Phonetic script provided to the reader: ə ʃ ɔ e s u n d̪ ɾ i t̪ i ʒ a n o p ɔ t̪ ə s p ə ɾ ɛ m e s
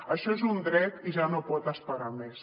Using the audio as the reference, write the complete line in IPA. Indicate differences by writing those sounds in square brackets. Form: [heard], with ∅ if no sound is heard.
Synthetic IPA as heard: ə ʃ ɔ e [z] u n d̪ ɾ [ɛ] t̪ i ʒ a n o p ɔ t̪ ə s p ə ɾ [a] m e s